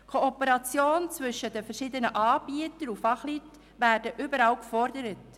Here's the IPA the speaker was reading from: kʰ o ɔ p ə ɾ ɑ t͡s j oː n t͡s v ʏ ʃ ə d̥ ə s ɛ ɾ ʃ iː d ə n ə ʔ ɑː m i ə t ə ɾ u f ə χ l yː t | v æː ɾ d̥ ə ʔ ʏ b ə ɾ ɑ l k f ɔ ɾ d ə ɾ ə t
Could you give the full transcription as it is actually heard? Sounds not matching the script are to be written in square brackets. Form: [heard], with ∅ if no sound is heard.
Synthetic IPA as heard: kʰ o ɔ p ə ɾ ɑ t͡s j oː n t͡s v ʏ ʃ ə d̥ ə [f] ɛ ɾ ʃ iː d ə n ə ʔ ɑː [b] i ə t ə ɾ u f [ɑ] χ l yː t | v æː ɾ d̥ ə ʔ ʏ b ə ɾ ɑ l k f ɔ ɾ d ə ɾ ə t

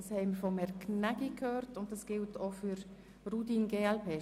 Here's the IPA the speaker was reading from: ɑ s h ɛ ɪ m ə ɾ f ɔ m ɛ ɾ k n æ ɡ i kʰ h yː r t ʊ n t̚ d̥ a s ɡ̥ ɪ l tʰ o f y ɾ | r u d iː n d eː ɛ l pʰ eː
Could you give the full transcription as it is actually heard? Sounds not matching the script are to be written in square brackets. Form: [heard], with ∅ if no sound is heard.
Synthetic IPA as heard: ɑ s h ɛ ɪ m ə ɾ f ɔ m ɛ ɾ k n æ ɡ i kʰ h [øː] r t ʊ n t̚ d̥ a s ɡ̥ ɪ l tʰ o f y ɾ | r u d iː n [ɡ] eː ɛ l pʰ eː

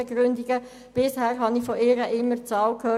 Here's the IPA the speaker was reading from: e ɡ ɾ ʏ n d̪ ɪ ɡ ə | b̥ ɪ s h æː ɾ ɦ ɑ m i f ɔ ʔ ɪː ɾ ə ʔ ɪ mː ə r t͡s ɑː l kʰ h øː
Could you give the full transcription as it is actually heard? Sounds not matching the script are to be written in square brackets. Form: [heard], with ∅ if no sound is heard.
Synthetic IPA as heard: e ɡ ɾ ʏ n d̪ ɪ ɡ ə | b̥ ɪ s h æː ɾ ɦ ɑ [n] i f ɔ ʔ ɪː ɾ ə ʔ ɪ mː ə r t͡s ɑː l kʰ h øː

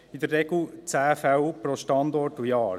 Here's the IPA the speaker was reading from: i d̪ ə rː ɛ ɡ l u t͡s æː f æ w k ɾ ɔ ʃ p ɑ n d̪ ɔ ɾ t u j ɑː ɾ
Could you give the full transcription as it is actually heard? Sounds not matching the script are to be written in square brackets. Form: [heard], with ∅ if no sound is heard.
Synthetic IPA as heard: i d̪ ə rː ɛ ɡ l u t͡s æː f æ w [p] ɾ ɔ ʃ [t] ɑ n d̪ ɔ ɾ t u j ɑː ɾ

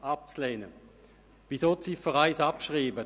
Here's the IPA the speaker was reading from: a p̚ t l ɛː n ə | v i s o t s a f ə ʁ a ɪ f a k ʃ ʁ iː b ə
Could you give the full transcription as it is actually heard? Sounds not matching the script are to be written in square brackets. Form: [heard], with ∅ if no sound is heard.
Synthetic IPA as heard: a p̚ [t͡s] l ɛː n ə | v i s o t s [i] f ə ʁ a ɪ [s] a [p] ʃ ʁ iː b ə

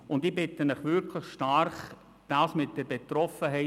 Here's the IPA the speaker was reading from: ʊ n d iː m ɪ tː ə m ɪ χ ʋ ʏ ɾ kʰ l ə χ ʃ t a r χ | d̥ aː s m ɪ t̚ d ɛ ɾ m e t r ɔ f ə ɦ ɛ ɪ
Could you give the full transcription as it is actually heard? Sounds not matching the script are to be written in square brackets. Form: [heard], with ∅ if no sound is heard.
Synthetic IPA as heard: ʊ n d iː [b] ɪ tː ə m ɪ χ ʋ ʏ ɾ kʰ l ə χ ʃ t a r χ | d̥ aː s m ɪ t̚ d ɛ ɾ [b] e t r ɔ f ə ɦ ɛ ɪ

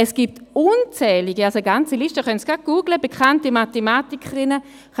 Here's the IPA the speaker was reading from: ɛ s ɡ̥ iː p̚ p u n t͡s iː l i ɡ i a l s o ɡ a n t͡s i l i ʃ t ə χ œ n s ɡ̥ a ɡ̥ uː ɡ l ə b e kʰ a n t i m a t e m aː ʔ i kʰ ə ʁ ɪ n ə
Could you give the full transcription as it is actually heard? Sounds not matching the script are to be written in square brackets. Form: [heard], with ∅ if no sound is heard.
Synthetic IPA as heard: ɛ s ɡ̥ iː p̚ [t] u n t͡s [ɛː] l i ɡ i a l s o ɡ a n t͡s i l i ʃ t ə χ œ n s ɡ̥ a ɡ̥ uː ɡ l ə b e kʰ a n t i m a t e m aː [t] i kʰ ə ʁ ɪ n ə

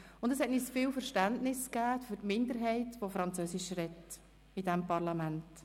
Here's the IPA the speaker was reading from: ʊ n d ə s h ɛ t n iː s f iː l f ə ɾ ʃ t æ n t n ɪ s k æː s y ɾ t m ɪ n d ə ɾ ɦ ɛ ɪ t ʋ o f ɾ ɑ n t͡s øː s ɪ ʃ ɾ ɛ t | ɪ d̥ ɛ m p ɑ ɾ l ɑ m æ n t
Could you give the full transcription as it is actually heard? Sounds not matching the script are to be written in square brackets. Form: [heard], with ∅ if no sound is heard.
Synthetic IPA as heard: ʊ n d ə s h ɛ t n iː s f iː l f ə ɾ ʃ t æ n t n ɪ s k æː [f] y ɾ t m ɪ n d ə ɾ ɦ ɛ ɪ t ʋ o f ɾ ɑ n t͡s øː s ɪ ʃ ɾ ɛ t | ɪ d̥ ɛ m p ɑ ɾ l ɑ m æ n t

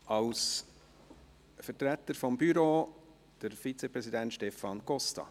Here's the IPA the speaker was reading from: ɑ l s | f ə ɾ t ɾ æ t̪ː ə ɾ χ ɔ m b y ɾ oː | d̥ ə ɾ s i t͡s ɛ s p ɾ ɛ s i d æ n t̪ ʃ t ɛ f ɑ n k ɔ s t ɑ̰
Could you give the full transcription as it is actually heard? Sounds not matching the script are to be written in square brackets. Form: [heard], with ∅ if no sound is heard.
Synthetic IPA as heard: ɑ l s | f ə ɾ t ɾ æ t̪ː ə ɾ [f] ɔ m b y ɾ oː | d̥ ə ɾ [f] i t͡s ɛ [∅] p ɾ ɛ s i d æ n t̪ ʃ t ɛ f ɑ n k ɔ s t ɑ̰

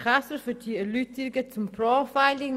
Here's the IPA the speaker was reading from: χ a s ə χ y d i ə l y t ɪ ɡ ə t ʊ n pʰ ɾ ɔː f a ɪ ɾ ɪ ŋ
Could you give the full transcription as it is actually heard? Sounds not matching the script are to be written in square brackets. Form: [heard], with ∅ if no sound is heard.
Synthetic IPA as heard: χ a s ə [f] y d i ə l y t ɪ ɡ ə [t͡s] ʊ [m] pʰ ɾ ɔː f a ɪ [l] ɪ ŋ

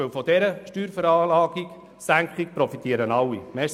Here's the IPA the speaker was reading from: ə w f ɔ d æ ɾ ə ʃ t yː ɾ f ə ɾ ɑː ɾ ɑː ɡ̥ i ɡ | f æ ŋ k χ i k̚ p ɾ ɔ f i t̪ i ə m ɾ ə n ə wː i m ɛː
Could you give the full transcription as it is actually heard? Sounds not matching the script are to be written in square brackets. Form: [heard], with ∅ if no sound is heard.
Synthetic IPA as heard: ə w f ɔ d [ɛ] ɾ ə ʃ t yː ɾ f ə ɾ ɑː [l] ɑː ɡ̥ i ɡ | [s] æ ŋ k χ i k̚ p ɾ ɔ f i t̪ i ə [∅] ɾ ə n [ɑ] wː i m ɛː

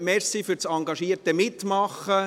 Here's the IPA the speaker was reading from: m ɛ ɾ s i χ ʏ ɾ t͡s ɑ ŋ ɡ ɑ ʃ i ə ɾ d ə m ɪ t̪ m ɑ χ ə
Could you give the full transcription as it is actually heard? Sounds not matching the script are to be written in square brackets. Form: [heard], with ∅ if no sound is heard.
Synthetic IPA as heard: m ɛ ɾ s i [f] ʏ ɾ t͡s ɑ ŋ ɡ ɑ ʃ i ə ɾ [t] ə m ɪ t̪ m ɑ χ ə

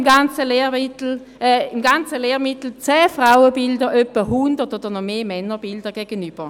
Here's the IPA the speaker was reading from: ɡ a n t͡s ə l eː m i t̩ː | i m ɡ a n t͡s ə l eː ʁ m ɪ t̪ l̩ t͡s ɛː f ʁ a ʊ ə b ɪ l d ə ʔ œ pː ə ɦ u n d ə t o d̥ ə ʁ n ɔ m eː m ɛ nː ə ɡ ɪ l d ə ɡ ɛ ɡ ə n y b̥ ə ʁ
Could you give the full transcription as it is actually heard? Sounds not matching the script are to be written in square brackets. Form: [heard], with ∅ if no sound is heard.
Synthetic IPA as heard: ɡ a n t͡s ə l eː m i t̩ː | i m ɡ a n t͡s ə l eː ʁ m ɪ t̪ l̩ t͡s ɛː f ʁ a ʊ ə b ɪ l d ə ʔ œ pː ə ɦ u n d ə t o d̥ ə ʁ n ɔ m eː m ɛ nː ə [b] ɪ l d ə ɡ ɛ ɡ ə n y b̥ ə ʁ

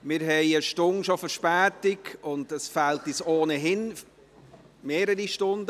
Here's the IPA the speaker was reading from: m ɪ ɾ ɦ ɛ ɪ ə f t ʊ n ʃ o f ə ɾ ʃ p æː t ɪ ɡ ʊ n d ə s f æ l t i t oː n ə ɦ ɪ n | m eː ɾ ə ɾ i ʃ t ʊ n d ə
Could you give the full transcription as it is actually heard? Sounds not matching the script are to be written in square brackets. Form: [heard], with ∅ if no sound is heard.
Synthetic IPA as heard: m ɪ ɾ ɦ ɛ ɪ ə [ʃ] t ʊ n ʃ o f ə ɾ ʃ p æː t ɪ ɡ ʊ n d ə s f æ l t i [s] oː n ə ɦ ɪ n | m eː ɾ ə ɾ i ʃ t ʊ n d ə

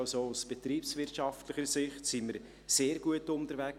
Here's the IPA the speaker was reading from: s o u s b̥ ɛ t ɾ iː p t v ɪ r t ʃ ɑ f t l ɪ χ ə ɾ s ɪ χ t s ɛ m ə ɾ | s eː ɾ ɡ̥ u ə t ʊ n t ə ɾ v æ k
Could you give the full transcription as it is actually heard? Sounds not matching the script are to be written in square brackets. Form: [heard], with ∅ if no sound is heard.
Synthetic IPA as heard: s o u s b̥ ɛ t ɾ iː p [s] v ɪ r t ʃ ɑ f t l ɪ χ ə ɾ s ɪ χ t s [i] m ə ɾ | s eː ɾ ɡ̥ u ə t ʊ n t ə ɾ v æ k

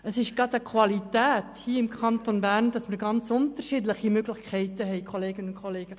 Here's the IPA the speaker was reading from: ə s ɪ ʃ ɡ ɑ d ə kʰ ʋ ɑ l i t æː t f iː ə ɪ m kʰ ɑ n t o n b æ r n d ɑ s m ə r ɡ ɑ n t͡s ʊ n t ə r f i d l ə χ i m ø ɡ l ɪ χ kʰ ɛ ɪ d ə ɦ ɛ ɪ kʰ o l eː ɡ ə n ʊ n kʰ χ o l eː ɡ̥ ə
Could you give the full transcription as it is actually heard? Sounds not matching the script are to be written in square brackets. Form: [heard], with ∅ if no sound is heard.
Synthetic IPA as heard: ə s ɪ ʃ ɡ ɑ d ə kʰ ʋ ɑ l i t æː t [h] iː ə ɪ m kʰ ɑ n t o n b æ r n d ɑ s m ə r ɡ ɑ n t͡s ʊ n t ə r [ʃ] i d l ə χ i m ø ɡ l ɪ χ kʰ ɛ ɪ [t] ə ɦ ɛ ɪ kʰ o l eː ɡ ə n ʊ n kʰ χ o l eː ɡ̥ ə

